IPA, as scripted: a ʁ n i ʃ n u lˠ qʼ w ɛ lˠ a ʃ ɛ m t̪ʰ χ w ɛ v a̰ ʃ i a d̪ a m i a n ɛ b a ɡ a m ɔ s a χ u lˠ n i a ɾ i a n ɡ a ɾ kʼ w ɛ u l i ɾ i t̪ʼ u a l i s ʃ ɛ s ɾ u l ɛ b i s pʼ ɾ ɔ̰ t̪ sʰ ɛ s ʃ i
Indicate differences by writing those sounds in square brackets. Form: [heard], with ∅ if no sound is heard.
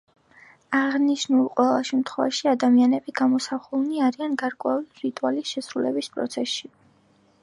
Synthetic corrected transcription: a ʁ n i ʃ n u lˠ qʼ w ɛ lˠ a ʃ ɛ m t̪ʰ χ w ɛ v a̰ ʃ i a d̪ a m i a n ɛ b [i] ɡ a m ɔ s a χ u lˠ n i a ɾ i a n ɡ a ɾ kʼ w ɛ u l i ɾ i t̪ʼ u a l i s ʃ ɛ s ɾ u l ɛ b i s pʼ ɾ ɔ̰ t̪ sʰ ɛ s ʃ i

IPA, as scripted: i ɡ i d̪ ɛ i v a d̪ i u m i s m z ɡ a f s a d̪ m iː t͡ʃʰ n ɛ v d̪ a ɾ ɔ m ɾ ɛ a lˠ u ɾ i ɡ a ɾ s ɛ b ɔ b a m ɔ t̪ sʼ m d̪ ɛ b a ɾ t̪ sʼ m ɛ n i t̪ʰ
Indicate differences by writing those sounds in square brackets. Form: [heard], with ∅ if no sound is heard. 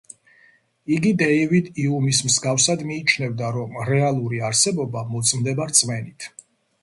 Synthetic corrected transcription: i ɡ i d̪ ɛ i v [i] d̪ i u m i s m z ɡ a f s a d̪ m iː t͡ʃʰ n ɛ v d̪ a ɾ ɔ m ɾ ɛ a lˠ u ɾ i [∅] a ɾ s ɛ b ɔ b a m ɔ t̪ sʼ m d̪ ɛ b a ɾ t̪ sʼ m ɛ n i t̪ʰ

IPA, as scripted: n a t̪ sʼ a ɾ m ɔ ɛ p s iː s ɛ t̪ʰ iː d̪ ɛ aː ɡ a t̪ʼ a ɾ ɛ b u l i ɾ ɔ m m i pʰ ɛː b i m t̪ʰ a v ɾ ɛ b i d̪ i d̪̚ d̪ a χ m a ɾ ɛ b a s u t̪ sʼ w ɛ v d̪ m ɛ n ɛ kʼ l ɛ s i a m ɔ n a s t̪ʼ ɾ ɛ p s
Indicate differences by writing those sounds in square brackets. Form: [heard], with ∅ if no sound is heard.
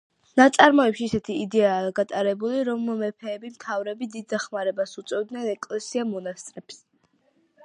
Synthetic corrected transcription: n a t̪ sʼ a ɾ m ɔ ɛ p [ʃ] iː s ɛ t̪ʰ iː d̪ ɛ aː ɡ a t̪ʼ a ɾ ɛ b u l i ɾ ɔ m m [ɛ] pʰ ɛː b i m t̪ʰ a v ɾ ɛ b i d̪ i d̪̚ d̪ a χ m a ɾ ɛ b a s u t̪ sʼ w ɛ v d̪ [n] ɛ n ɛ kʼ l ɛ s i a m ɔ n a s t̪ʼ ɾ ɛ p s

